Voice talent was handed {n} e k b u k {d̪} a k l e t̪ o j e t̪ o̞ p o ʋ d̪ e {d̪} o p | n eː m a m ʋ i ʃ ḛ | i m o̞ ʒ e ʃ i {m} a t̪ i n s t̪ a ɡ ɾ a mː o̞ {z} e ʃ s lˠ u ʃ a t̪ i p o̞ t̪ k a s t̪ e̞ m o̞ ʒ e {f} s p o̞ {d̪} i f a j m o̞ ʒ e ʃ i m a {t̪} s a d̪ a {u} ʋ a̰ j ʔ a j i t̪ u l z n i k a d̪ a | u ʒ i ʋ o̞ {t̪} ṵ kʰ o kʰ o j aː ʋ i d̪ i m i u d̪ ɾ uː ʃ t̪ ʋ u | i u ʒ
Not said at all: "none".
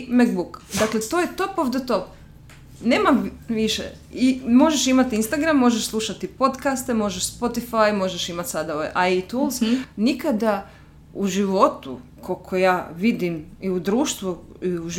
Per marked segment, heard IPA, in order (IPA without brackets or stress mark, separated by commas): m, d̪, t̪, m, ʒ, ʃ, t̪, t̪, o, t̪